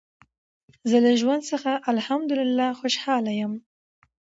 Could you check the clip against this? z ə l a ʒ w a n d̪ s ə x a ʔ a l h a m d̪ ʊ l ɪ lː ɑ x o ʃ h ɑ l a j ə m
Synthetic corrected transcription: z ə l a ʒ w a n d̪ s ə x a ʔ a l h a m d̪ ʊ l ɪ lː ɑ x o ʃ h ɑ l a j ə m